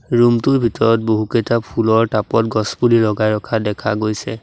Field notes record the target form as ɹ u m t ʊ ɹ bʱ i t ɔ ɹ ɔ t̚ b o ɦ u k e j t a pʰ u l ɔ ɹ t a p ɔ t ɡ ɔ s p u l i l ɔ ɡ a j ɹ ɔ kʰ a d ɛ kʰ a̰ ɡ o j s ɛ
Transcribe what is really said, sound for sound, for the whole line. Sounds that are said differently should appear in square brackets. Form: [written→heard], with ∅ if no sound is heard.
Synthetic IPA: ɹ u m t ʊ ɹ bʱ i t ɔ ɹ ɔ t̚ b o ɦ u k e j t a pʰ u l ɔ ɹ t a p ɔ t ɡ ɔ s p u l i l ɔ ɡ a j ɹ ɔ kʰ a d ɛ kʰ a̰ ɡ o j s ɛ

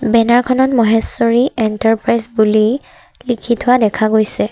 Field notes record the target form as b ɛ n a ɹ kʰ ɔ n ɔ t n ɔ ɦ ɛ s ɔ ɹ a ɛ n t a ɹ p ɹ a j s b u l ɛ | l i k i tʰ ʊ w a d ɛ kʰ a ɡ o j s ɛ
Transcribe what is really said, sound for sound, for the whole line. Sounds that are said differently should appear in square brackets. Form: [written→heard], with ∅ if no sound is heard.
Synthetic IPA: b ɛ n a ɹ kʰ ɔ n ɔ t [n→m] ɔ ɦ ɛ s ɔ ɹ [a→i] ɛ n t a ɹ p ɹ a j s b u l [ɛ→i] | l i [k→kʰ] i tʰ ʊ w a d ɛ kʰ a ɡ o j s ɛ

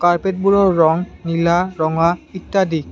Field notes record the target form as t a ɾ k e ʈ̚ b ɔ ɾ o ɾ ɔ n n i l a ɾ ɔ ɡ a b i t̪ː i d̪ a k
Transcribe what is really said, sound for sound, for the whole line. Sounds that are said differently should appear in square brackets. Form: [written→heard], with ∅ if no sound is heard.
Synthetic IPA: [t→k] a ɾ [k→p] e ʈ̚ b [ɔ→u] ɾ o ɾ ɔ [n→ŋ] n i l a ɾ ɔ [ɡ→ŋ] a [b→∅] i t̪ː [i→a] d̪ [a→i] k

